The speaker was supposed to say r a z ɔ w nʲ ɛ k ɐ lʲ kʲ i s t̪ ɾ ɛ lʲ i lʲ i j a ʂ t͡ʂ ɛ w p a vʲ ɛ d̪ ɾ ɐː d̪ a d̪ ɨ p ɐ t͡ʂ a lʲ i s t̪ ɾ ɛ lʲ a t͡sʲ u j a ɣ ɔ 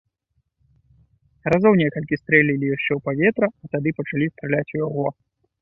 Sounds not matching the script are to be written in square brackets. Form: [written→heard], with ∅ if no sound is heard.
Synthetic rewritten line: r a z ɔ w nʲ ɛ k ɐ lʲ kʲ i s t̪ ɾ ɛ lʲ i lʲ i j a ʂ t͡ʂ ɛ w p a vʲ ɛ [d̪→t̪] ɾ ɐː [d̪→t̪] a d̪ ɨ p ɐ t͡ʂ a lʲ i s t̪ ɾ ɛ lʲ a t͡sʲ u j a ɣ ɔ

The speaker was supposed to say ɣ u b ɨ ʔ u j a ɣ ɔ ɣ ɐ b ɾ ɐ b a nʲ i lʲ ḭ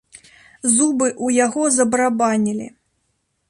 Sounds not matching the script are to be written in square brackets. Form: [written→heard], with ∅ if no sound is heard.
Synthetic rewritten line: [ɣ→z] u b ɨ ʔ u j a ɣ ɔ [ɣ→z] ɐ b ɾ [ɐ→a] b a nʲ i lʲ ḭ

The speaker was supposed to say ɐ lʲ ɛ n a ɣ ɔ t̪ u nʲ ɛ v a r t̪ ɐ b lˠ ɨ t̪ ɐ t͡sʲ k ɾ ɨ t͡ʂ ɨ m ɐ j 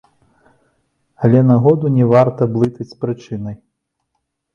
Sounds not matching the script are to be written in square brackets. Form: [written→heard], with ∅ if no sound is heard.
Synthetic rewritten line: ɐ lʲ ɛ n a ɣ ɔ [t̪→d̪] u nʲ ɛ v a r t̪ ɐ b lˠ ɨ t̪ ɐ t͡sʲ [k→p] ɾ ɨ t͡ʂ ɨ [m→n] ɐ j

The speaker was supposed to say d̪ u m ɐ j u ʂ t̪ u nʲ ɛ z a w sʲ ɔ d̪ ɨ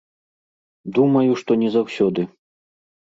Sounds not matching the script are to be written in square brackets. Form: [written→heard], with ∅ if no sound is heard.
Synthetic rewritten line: d̪ u m ɐ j u ʂ t̪ [u→ɔ] nʲ ɛ z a w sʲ ɔ d̪ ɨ

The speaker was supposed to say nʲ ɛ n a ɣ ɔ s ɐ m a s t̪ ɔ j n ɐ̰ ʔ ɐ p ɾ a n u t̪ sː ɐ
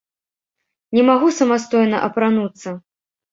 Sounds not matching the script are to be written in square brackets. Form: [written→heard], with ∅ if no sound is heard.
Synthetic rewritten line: nʲ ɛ [n→m] a ɣ [ɔ→u] s ɐ m a s t̪ ɔ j n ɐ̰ ʔ ɐ p ɾ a n u t̪ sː ɐ

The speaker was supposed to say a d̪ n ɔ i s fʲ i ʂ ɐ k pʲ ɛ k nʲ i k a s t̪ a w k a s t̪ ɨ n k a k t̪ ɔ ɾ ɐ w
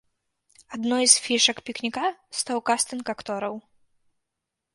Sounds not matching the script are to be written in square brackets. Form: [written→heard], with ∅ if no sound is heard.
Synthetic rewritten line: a d̪ n ɔ [i→j] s fʲ i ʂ ɐ k pʲ [ɛ→i] k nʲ i k a s t̪ a w k a s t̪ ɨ n k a k t̪ ɔ ɾ ɐ w

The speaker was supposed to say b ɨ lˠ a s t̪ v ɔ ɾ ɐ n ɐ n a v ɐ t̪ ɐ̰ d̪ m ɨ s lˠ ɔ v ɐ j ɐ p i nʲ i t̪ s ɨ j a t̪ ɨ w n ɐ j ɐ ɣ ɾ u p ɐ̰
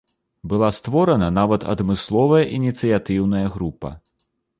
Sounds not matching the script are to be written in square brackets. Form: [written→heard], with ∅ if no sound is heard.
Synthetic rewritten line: b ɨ lˠ a s t̪ v ɔ ɾ ɐ n ɐ n a v ɐ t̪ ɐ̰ d̪ m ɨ s lˠ ɔ v ɐ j ɐ [p→ʔ] i nʲ i t̪ s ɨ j a t̪ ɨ w n ɐ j ɐ ɣ ɾ u p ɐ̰

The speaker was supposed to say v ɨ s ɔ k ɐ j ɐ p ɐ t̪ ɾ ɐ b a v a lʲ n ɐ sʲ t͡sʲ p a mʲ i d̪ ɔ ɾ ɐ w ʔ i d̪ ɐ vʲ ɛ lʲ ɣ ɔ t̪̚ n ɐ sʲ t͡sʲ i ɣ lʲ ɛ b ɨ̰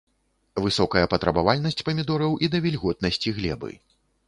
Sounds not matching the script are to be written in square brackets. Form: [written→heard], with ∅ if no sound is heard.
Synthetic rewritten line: v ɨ s ɔ k ɐ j ɐ p ɐ t̪ ɾ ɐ b a v a lʲ n ɐ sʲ t͡sʲ p [a→ɐ] mʲ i d̪ ɔ ɾ ɐ w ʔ i d̪ ɐ vʲ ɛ lʲ ɣ ɔ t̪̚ n ɐ sʲ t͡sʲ i ɣ lʲ ɛ b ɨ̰

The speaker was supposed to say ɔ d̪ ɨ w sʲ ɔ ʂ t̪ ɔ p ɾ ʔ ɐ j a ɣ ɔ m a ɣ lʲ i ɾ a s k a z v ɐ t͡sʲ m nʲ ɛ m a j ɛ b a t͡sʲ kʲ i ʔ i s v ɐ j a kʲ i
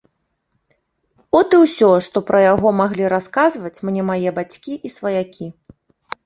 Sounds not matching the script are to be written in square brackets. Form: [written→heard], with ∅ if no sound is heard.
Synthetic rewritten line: ɔ [d̪→t̪] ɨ w sʲ ɔ ʂ t̪ ɔ p ɾ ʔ ɐ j a ɣ ɔ m a ɣ lʲ i ɾ a s k a z v ɐ t͡sʲ m nʲ ɛ m a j ɛ b a t͡sʲ kʲ i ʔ i s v ɐ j a kʲ i

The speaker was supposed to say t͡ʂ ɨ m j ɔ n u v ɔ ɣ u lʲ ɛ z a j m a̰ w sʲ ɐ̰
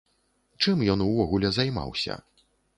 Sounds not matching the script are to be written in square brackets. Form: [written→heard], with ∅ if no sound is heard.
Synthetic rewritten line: t͡ʂ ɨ m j ɔ n u v ɔ ɣ u lʲ ɛ z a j m a̰ w sʲ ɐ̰

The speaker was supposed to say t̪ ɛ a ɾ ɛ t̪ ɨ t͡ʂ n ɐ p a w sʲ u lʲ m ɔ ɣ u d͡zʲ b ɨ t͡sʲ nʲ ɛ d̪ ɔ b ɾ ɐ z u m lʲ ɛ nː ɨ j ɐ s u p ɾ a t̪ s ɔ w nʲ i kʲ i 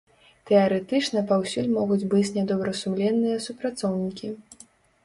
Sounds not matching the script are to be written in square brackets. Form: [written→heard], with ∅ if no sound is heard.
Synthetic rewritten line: t̪ ɛ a ɾ ɛ t̪ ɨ t͡ʂ n ɐ p a w sʲ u lʲ m ɔ ɣ u d͡zʲ b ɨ t͡sʲ nʲ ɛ d̪ ɔ b ɾ ɐ [z→s] u m lʲ ɛ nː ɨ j ɐ s u p ɾ a t̪ s ɔ w nʲ i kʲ i

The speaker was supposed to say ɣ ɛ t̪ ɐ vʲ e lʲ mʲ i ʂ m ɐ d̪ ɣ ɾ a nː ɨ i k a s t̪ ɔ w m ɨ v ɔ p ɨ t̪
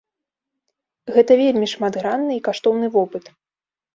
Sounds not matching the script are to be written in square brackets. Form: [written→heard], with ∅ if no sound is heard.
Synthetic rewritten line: ɣ ɛ t̪ ɐ vʲ e lʲ mʲ i ʂ m [ɐ→a] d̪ ɣ ɾ a nː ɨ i k a [s→ʂ] t̪ ɔ w [m→n] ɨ v ɔ p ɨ t̪

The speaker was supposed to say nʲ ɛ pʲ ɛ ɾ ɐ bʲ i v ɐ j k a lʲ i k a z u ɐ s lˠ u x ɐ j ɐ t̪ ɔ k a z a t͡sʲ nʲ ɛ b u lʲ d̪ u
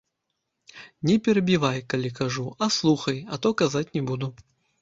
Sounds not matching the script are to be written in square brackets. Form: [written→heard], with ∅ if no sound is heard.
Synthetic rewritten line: nʲ ɛ pʲ ɛ ɾ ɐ bʲ i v [ɐ→a] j k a lʲ i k a [z→ʐ] u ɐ s lˠ u x ɐ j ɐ t̪ ɔ k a z a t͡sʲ nʲ ɛ b u [lʲ→∅] d̪ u

